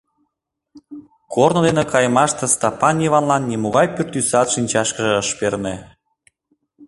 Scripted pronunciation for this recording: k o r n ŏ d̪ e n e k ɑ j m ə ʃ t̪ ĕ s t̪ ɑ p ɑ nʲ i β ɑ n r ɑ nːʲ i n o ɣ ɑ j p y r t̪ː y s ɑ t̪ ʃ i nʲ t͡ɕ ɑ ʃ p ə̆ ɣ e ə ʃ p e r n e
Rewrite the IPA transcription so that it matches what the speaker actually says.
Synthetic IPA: k o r n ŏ d̪ e n e k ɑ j m ɑ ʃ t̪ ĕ s t̪ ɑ p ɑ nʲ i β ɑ n l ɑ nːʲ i m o ɣ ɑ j p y r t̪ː y s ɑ t̪ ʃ i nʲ t͡ɕ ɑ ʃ k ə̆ ʒ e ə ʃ p e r n e